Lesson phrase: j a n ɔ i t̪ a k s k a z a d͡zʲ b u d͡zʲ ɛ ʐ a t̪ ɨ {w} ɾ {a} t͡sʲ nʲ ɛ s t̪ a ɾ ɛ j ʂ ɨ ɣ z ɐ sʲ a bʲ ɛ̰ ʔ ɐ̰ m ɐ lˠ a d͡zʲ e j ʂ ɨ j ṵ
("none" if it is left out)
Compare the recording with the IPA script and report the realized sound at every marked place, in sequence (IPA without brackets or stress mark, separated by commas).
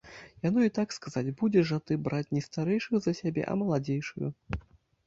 b, a